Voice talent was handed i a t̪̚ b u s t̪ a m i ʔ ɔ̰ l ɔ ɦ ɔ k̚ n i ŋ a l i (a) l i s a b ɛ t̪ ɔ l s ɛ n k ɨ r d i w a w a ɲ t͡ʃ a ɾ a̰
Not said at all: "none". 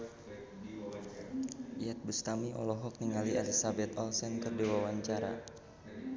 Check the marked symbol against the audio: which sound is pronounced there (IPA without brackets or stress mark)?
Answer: a